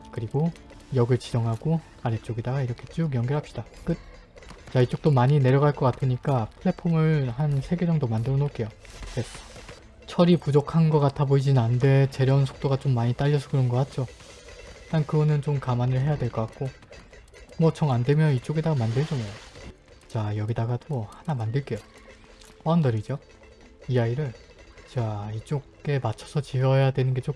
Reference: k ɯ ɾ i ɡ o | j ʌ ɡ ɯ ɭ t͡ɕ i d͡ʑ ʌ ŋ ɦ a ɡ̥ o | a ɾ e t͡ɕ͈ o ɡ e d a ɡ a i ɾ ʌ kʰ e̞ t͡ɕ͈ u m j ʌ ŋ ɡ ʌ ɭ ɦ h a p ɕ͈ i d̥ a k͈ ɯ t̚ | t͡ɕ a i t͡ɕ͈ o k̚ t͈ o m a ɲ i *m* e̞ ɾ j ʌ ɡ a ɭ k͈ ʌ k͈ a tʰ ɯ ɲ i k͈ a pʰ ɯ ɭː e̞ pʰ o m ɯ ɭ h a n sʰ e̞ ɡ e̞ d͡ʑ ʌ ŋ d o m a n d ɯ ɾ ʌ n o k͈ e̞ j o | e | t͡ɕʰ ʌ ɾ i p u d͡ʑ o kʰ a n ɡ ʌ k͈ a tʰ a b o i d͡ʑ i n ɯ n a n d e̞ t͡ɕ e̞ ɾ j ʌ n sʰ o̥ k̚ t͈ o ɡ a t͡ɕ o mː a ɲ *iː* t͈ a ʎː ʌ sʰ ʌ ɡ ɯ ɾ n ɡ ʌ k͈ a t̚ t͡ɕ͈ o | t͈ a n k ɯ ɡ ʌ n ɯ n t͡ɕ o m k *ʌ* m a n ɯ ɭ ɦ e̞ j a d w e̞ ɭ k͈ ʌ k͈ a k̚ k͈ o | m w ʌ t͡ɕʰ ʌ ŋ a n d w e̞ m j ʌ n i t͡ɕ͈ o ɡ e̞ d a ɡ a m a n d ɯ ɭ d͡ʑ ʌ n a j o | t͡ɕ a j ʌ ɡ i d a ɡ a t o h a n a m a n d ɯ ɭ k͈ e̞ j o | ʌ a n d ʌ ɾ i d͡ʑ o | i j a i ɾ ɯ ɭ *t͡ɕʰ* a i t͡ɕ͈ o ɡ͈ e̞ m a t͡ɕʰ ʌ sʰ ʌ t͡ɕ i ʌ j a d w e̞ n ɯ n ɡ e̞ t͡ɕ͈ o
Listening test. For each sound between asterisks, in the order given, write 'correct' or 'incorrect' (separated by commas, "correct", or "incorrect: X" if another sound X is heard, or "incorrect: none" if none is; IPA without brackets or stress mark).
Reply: incorrect: n, incorrect: i, incorrect: a, incorrect: t͡ɕ